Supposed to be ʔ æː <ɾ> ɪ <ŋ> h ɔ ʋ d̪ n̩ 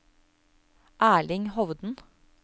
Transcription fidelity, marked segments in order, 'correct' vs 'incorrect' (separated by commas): incorrect, correct